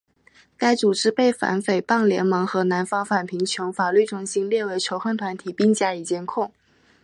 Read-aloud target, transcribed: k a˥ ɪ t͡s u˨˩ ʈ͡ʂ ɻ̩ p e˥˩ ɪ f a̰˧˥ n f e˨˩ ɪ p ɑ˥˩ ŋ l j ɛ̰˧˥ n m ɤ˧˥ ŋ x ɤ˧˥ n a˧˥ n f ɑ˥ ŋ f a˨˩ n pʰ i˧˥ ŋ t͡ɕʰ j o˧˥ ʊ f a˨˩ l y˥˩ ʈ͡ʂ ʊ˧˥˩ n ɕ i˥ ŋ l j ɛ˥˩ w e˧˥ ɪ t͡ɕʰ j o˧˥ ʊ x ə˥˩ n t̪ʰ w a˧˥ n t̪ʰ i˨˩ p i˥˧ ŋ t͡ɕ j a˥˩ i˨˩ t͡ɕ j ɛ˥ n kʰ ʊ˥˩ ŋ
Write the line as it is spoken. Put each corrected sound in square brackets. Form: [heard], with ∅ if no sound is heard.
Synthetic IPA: k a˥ ɪ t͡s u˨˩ ʈ͡ʂ ɻ̩ p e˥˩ ɪ f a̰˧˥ n f e˨˩ ɪ p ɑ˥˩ ŋ l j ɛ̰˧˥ n m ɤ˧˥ ŋ x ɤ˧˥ n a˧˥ n f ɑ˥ ŋ f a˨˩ n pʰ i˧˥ ŋ t͡ɕʰ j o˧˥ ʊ f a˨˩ l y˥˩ ʈ͡ʂ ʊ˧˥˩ [ŋ] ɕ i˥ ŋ l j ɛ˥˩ w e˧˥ ɪ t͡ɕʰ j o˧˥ ʊ x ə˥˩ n t̪ʰ w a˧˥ n t̪ʰ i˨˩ p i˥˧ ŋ t͡ɕ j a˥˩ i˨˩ t͡ɕ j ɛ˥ n kʰ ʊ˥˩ ŋ